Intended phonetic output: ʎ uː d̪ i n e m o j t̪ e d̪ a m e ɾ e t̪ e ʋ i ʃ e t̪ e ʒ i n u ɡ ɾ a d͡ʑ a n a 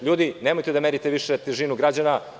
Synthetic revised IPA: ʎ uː d̪ i n e m o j t̪ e d̪ a m e ɾ i t̪ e ʋ i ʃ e t̪ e ʒ i n u ɡ ɾ a d͡ʑ a n a